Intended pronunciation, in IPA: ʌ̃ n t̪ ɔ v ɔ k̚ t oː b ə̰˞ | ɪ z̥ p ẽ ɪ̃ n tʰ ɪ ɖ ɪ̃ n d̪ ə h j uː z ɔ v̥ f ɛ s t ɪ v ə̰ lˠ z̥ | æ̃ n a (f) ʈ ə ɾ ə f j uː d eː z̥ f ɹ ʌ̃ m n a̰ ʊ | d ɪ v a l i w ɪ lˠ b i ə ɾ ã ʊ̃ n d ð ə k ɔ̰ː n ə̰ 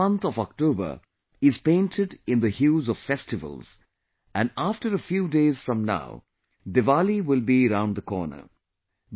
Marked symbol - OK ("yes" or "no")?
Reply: yes